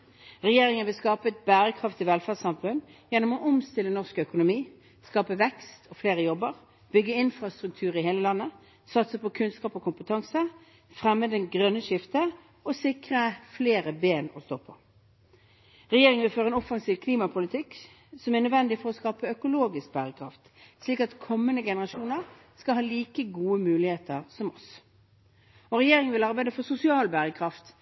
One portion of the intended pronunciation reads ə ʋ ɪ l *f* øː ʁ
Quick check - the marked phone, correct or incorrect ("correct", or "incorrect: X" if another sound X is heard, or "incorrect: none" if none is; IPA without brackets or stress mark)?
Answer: correct